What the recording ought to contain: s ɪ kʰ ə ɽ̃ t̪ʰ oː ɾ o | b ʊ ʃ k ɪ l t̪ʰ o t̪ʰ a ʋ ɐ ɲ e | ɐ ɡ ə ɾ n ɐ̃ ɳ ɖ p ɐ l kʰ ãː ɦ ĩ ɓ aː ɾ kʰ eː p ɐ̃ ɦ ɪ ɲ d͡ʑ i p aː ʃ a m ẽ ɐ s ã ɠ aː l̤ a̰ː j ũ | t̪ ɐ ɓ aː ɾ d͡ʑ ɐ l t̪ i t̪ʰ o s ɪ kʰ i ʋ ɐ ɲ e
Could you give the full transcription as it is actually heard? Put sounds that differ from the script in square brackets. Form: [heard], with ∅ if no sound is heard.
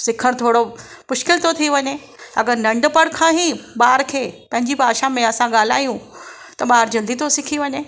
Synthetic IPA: s ɪ kʰ ə ɽ̃ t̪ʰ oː [ɽ] o | [m] ʊ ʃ k ɪ l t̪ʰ o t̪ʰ [i] ʋ ɐ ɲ e | ɐ ɡ ə ɾ n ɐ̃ ɳ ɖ p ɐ [ɽ] kʰ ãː ɦ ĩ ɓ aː ɾ kʰ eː p ɐ̃ ɦ ɪ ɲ d͡ʑ i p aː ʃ a m ẽ ɐ s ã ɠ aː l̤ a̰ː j ũ | t̪ ɐ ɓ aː ɾ d͡ʑ ɐ l [d̪] i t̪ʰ o s ɪ kʰ i ʋ ɐ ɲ e